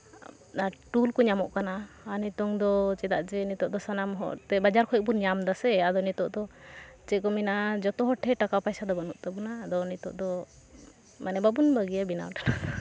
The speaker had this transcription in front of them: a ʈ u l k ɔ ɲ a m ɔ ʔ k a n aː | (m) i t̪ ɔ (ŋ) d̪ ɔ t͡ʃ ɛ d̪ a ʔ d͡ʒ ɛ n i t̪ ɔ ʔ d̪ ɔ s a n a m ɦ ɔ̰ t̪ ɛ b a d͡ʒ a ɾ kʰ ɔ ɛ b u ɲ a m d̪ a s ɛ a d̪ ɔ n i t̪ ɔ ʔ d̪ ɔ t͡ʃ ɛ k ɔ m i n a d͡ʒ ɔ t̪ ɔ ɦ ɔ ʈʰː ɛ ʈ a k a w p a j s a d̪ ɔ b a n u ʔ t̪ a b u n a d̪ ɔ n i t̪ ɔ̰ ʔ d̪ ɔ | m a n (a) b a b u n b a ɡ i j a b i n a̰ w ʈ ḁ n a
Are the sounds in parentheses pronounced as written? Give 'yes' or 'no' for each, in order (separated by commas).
no, yes, no